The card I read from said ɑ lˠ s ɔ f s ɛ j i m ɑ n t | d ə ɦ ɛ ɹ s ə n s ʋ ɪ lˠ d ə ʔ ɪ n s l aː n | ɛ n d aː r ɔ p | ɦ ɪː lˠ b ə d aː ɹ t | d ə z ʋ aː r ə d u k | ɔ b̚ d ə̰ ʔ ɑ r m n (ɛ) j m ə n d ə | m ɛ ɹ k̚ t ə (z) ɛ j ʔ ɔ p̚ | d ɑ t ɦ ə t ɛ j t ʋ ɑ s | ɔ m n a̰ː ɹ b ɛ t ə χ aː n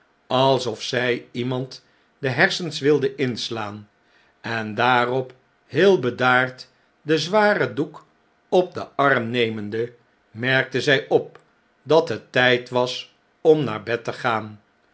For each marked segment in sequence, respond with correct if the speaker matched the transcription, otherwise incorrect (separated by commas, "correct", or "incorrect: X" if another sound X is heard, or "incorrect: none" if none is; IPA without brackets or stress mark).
incorrect: e, correct